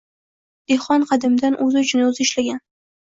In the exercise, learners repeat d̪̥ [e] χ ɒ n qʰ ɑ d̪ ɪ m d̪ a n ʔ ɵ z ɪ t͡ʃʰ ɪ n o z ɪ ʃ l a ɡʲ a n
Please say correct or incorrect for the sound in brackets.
correct